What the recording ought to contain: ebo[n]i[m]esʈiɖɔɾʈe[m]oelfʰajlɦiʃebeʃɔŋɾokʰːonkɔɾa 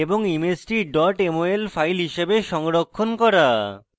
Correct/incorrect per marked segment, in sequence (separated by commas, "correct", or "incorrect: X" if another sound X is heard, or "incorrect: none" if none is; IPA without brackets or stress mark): incorrect: ŋ, correct, correct